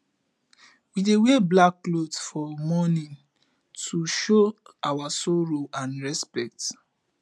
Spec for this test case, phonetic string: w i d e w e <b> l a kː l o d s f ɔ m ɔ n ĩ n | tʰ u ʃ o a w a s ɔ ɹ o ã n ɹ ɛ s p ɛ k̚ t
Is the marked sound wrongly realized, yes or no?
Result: no